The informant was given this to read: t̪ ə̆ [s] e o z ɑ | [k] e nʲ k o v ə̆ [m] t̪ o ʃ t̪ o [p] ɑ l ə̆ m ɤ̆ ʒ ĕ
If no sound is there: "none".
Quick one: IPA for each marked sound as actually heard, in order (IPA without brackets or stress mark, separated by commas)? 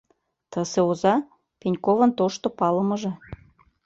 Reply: s, p, n, p